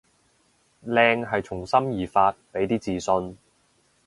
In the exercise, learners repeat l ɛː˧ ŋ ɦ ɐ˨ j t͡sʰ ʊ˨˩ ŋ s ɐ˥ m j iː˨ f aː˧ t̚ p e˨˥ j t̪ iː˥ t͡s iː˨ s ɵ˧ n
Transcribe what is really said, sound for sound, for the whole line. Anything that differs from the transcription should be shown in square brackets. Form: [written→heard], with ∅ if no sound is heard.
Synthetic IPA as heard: l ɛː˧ ŋ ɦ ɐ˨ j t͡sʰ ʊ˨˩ ŋ s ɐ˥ m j iː˨ f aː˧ t̚ p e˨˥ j t̪ iː˥ t͡s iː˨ s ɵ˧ n